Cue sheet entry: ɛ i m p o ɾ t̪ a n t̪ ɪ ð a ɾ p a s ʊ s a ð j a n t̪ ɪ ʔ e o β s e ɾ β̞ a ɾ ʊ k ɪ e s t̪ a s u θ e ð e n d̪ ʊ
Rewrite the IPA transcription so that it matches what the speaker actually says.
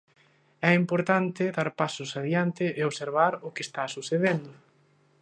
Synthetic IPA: ɛ i m p o ɾ t̪ a n t̪ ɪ ð a ɾ p a s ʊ s a ð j a n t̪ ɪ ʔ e o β s e ɾ β̞ a ɾ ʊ k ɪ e s t̪ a s u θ e ð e n d̪ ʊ